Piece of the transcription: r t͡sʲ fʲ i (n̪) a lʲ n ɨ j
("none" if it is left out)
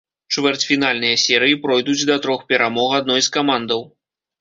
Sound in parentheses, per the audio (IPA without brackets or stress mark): n̪